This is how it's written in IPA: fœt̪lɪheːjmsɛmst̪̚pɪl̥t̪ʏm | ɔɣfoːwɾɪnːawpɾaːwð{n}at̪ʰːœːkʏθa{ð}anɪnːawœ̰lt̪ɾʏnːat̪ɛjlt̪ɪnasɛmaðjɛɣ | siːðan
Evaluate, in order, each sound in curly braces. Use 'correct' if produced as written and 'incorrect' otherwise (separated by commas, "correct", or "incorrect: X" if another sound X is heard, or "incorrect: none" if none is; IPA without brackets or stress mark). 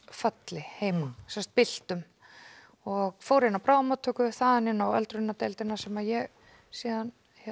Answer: incorrect: m, correct